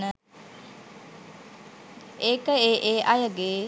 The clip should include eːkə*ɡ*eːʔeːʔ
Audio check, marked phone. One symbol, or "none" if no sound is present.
none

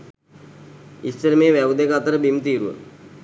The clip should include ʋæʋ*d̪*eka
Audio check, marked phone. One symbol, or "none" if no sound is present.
d̪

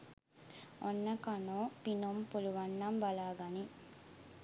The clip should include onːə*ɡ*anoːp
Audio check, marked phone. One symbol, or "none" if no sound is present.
k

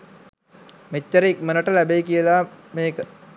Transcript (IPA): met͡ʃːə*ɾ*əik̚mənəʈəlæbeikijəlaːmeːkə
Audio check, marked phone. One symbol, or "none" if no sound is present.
ɾ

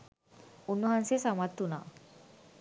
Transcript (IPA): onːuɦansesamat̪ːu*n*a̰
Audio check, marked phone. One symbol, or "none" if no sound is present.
n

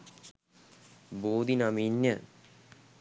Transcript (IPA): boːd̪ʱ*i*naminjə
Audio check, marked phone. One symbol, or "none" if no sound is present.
i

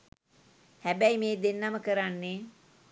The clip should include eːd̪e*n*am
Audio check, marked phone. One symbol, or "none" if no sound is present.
nː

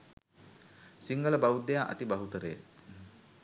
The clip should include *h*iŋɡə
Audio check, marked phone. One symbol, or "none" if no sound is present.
s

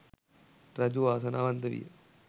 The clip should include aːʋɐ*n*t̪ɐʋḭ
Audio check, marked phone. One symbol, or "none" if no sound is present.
n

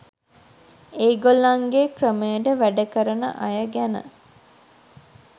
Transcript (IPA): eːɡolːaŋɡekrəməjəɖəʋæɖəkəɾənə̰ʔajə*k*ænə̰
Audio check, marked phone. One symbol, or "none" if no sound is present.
ɡ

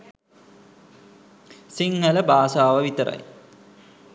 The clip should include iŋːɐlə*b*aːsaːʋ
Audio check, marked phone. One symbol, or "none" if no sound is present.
b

